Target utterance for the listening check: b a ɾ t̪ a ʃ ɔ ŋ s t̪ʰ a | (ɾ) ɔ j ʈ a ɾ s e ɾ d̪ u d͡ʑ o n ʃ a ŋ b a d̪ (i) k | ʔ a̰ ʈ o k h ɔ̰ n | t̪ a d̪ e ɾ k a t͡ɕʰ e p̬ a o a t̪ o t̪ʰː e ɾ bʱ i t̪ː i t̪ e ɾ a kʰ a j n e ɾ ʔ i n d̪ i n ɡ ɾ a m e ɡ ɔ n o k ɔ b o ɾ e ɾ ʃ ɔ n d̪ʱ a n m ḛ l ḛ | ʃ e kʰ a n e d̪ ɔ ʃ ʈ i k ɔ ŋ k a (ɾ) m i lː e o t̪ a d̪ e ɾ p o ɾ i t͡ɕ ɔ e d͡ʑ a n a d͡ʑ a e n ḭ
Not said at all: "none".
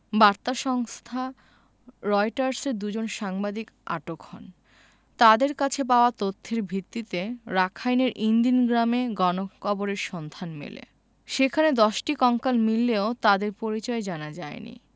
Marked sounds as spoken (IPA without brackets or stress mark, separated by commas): ɾ, i, l